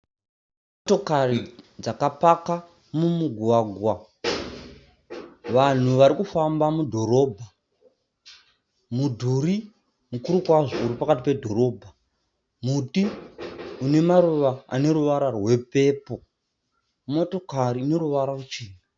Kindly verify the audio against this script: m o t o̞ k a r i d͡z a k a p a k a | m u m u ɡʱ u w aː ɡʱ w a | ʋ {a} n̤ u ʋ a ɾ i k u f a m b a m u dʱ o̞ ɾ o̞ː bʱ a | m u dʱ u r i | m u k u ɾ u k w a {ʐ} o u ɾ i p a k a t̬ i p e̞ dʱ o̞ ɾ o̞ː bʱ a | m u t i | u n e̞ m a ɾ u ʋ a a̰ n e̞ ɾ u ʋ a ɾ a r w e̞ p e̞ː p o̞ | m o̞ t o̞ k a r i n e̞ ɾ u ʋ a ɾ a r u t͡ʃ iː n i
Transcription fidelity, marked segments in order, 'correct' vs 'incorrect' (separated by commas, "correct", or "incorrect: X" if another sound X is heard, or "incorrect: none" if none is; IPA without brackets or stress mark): correct, correct